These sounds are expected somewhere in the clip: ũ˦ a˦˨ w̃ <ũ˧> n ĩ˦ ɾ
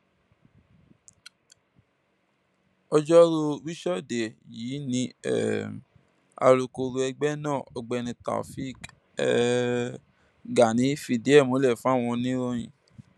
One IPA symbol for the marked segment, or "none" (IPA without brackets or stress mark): ɔ̃˧